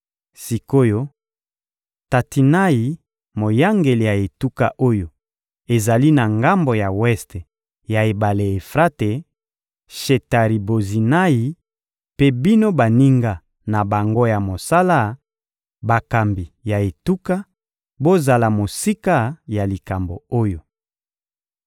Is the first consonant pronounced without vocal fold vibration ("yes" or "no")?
yes